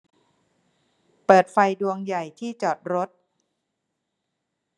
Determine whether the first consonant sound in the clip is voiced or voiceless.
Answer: voiceless